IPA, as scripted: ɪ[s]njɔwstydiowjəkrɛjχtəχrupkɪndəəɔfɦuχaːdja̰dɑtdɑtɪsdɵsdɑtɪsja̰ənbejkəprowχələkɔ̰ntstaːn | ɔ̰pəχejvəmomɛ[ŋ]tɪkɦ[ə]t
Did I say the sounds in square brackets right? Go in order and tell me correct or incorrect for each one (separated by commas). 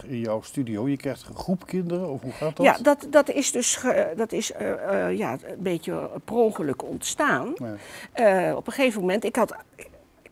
incorrect, incorrect, incorrect